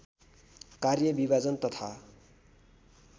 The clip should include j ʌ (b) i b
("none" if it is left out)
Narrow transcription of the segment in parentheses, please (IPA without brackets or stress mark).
b